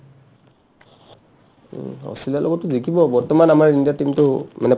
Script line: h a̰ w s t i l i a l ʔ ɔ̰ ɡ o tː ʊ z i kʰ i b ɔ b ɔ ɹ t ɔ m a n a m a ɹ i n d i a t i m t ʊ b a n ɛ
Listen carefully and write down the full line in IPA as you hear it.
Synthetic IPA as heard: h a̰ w s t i l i a l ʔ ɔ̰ ɡ ɔ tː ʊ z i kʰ i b ɔ b ɔ ɹ t ɔ m a n a m a ɹ i n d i a t i m t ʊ m a n ɛ